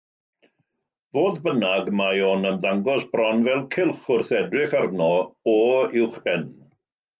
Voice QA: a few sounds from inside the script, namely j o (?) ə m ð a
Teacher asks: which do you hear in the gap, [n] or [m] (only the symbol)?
n